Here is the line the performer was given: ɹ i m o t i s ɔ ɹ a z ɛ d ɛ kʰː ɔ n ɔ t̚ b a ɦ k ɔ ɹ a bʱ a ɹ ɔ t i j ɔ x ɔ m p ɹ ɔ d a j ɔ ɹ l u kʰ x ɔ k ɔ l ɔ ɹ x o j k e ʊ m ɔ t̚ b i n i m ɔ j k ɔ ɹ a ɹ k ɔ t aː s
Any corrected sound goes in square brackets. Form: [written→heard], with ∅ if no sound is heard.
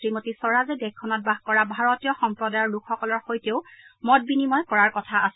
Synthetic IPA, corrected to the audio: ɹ i m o t i s ɔ ɹ a z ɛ d ɛ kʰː ɔ n ɔ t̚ b a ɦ k ɔ ɹ a bʱ a ɹ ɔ t i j ɔ x ɔ m p ɹ ɔ d a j ɔ ɹ l u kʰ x ɔ k ɔ l ɔ ɹ x o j [k→t] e ʊ m ɔ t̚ b i n i m ɔ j k ɔ ɹ a ɹ k ɔ [t→tʰ] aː s